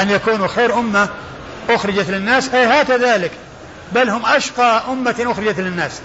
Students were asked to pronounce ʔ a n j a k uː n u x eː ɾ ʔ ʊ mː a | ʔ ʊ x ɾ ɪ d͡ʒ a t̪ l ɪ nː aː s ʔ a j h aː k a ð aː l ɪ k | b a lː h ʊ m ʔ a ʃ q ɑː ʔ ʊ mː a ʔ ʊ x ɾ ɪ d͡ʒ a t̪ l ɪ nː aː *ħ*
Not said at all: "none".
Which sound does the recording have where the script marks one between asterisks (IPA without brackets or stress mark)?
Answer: s